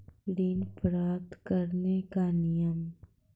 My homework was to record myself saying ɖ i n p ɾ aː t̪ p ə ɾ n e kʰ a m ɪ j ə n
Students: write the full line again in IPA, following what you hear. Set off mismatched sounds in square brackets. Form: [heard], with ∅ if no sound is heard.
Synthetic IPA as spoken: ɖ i n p ɾ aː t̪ [k] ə ɾ n e [k] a [n] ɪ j ə [m]